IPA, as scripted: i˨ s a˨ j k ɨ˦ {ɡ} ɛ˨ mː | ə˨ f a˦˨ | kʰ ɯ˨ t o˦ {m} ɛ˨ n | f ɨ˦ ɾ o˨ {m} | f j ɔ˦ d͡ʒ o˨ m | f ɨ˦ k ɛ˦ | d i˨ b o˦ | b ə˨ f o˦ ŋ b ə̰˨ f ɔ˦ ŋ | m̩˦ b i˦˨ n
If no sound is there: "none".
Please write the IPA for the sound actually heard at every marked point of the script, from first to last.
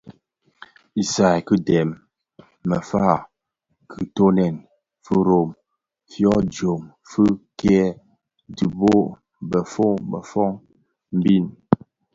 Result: d, n, m

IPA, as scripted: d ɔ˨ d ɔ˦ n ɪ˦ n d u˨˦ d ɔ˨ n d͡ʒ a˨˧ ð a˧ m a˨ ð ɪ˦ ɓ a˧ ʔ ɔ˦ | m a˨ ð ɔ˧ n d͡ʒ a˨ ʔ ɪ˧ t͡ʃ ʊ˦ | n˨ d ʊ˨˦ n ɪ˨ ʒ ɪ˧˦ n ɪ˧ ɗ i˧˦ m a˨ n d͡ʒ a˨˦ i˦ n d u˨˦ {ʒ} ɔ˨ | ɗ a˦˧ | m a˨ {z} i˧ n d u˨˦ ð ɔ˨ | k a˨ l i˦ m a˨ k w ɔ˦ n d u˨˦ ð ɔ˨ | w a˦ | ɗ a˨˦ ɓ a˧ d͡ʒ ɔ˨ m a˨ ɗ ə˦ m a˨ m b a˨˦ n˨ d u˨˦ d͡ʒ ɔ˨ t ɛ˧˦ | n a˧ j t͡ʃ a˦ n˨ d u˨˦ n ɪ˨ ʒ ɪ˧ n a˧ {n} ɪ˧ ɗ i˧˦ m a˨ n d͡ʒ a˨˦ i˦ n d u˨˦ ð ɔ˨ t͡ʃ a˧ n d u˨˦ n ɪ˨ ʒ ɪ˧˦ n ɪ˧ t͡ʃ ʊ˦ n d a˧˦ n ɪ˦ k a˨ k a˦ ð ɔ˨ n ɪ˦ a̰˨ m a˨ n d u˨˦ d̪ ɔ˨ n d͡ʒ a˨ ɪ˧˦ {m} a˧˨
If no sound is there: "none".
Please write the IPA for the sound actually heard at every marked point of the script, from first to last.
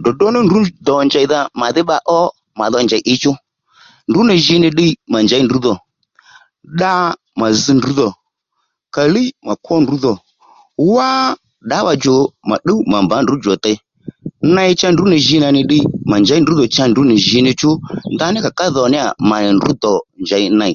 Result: ð, z, n, n

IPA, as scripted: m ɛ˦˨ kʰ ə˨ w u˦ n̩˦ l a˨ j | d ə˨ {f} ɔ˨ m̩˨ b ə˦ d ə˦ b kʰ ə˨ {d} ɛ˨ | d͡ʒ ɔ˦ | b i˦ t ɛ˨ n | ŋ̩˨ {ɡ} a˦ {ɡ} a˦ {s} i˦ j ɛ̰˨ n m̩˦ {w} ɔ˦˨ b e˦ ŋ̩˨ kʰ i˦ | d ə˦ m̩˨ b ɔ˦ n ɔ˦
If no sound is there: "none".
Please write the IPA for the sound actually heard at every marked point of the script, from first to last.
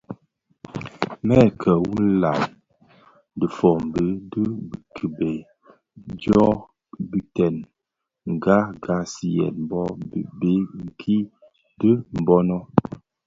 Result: f, b, ɡ, ɡ, s, b

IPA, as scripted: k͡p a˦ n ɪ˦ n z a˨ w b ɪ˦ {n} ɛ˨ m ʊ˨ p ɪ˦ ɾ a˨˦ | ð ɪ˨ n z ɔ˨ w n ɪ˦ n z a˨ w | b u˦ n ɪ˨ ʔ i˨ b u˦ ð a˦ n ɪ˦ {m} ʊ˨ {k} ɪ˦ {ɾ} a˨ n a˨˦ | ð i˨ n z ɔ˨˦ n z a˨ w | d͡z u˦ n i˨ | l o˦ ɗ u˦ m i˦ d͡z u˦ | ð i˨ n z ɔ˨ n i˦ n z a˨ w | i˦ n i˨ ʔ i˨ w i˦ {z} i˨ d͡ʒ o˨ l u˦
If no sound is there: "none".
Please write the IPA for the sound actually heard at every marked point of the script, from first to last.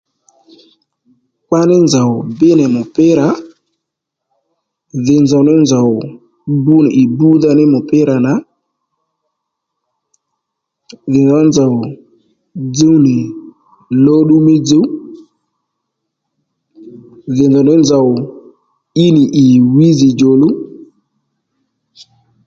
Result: n, m, p, ɾ, z

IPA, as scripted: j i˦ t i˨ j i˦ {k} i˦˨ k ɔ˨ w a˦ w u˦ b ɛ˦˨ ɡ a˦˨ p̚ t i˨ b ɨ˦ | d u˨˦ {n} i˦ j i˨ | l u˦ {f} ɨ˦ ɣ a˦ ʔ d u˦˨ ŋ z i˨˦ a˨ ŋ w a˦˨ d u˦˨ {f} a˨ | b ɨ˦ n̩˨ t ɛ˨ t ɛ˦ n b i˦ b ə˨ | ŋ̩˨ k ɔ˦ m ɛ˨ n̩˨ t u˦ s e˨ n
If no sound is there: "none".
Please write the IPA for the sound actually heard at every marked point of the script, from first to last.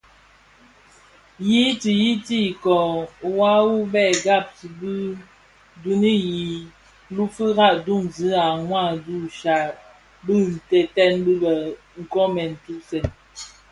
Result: t, n, f, ʃ

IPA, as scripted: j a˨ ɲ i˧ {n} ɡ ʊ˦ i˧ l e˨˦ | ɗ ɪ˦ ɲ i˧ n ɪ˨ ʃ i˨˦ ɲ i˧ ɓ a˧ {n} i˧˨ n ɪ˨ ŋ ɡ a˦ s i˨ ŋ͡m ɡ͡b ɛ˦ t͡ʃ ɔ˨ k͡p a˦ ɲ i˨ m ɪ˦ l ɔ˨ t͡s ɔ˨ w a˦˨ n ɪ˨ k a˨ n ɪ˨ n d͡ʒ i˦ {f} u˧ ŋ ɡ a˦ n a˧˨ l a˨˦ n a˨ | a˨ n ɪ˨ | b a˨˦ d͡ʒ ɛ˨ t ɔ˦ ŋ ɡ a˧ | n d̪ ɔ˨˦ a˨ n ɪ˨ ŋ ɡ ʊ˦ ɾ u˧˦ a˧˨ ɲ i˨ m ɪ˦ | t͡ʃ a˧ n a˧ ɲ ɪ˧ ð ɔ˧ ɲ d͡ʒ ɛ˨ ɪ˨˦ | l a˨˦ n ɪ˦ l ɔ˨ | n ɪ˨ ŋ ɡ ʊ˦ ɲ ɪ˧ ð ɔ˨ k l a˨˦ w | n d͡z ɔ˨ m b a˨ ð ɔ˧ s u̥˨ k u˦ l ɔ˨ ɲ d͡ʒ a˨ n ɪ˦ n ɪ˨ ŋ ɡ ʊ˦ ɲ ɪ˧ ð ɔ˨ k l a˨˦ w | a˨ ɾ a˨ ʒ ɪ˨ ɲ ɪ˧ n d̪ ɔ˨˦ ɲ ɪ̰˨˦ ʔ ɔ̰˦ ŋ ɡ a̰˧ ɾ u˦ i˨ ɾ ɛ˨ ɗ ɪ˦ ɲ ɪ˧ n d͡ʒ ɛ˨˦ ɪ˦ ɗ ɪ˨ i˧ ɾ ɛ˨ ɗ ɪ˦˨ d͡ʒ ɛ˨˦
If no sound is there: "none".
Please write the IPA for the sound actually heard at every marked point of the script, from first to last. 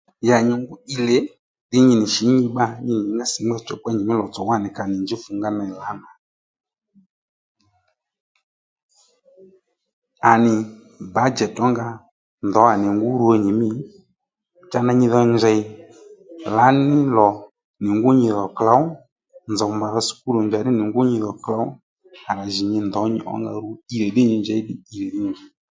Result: ŋ, ɲ, f

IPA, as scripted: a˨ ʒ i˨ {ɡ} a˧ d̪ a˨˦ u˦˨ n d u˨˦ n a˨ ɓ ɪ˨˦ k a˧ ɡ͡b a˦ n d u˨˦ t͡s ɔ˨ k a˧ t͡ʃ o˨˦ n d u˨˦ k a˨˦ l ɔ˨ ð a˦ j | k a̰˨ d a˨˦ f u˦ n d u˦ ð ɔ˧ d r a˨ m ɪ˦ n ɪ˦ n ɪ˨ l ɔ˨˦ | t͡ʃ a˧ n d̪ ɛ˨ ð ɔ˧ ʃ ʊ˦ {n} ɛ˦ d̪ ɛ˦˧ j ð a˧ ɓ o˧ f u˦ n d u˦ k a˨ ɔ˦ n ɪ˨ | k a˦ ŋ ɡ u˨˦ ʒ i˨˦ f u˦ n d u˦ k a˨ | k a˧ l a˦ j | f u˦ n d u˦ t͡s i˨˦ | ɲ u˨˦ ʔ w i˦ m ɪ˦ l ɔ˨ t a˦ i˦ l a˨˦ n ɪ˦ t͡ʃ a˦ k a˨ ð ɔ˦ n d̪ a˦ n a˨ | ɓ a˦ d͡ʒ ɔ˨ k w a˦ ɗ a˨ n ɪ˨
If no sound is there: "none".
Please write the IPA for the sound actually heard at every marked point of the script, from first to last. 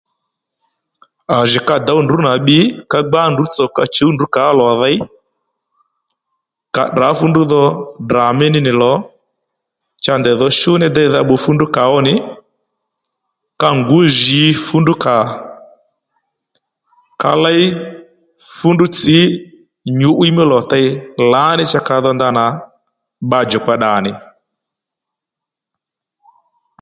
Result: k, n

